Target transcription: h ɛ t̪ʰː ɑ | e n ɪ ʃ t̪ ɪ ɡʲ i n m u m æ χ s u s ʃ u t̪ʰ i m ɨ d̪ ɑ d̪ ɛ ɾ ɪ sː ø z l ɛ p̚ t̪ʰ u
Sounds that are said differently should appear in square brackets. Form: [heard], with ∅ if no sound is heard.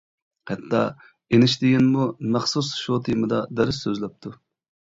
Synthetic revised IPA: h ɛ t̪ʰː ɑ | e n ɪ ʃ t̪ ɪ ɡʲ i n m u m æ χ s u s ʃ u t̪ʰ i m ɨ d̪ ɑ d̪ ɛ ɾ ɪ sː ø z l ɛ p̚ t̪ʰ u